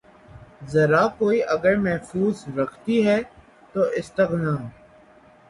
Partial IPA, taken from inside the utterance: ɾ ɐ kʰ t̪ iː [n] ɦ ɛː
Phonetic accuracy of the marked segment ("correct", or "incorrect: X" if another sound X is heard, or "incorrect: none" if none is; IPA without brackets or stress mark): incorrect: none